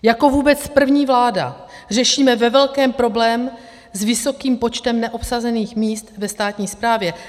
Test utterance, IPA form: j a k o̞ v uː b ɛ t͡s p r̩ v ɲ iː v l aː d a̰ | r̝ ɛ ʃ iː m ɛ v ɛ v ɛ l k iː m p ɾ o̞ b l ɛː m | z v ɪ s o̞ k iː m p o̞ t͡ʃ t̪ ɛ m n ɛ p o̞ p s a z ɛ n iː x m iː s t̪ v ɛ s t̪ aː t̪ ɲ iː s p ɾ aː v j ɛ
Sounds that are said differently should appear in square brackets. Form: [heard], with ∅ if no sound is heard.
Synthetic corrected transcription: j a k o̞ v uː b ɛ t͡s p r̩ v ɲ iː v l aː d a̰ | r̝ ɛ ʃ iː m ɛ v ɛ v ɛ l k [ɛː] m p ɾ o̞ b l ɛː m | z v ɪ s o̞ k iː m p o̞ t͡ʃ t̪ ɛ m n ɛ [ʔ] o̞ p s a z ɛ n iː x m iː s t̪ v ɛ s t̪ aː t̪ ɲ iː s p ɾ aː v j ɛ